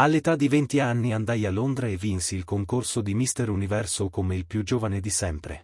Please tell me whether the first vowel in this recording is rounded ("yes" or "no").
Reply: no